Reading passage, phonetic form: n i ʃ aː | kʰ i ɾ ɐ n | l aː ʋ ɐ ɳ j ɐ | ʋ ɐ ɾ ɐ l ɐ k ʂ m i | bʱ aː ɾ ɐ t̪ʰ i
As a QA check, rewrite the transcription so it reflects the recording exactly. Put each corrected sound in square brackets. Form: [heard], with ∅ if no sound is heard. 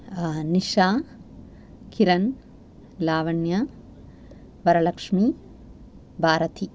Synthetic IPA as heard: n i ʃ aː | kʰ i ɾ ɐ n | l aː ʋ ɐ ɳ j ɐ | ʋ ɐ ɾ ɐ l ɐ k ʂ m i | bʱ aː ɾ ɐ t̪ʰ i